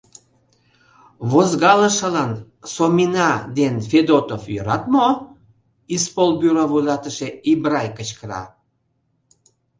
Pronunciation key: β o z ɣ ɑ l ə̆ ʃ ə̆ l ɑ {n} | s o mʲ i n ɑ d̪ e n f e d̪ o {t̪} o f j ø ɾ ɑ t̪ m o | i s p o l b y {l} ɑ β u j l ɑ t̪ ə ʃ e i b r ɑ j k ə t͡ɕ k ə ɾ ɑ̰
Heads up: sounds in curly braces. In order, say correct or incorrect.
correct, correct, incorrect: ɾ

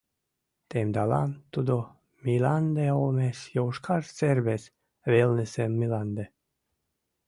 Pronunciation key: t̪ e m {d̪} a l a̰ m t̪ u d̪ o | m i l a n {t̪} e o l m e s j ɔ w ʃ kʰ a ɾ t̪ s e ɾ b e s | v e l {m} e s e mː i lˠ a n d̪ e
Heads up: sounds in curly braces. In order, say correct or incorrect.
correct, incorrect: d̪, incorrect: n

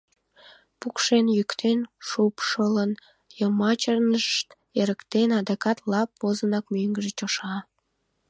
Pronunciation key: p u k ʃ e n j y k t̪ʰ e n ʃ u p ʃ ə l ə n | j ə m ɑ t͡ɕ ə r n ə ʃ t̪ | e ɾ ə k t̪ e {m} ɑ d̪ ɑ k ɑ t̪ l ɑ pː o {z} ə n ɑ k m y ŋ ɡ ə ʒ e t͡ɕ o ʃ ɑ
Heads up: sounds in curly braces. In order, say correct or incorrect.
incorrect: n, correct

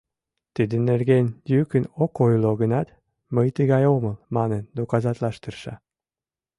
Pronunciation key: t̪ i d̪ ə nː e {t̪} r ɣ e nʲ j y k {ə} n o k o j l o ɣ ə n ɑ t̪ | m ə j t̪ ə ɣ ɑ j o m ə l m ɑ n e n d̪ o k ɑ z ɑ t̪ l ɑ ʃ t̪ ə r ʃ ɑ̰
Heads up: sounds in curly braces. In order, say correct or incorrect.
incorrect: none, correct

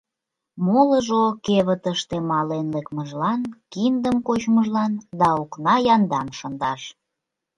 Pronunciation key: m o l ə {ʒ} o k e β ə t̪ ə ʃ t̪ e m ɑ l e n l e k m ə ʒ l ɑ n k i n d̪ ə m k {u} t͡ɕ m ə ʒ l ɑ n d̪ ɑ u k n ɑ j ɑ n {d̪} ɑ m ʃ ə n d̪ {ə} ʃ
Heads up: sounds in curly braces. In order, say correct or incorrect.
correct, incorrect: o, correct, incorrect: ɑ

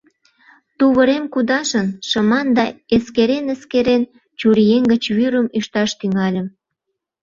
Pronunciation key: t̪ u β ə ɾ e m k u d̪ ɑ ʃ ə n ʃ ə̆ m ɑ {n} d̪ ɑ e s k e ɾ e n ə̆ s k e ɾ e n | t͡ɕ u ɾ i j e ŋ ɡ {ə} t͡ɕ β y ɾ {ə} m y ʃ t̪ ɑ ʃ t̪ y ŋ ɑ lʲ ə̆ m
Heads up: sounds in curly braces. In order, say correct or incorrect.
correct, correct, correct

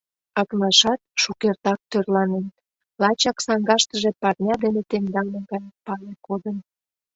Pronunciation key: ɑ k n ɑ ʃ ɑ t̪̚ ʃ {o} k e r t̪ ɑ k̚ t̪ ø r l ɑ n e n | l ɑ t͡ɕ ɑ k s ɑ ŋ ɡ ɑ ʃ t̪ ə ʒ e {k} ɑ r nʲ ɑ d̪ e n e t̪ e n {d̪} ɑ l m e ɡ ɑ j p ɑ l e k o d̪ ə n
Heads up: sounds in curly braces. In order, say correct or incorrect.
incorrect: u, incorrect: p, correct

